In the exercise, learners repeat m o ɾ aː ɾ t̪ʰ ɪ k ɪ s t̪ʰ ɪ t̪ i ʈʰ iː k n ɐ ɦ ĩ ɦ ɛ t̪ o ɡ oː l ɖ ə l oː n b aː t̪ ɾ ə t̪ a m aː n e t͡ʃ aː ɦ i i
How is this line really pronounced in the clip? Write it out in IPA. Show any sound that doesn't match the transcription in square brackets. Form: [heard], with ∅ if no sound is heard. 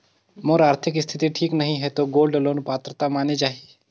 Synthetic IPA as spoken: m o ɾ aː ɾ t̪ʰ ɪ k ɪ s t̪ʰ ɪ t̪ i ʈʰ iː k n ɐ ɦ ĩ ɦ ɛ t̪ o ɡ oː l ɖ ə l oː n [p] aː t̪ ɾ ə t̪ a m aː n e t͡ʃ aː ɦ i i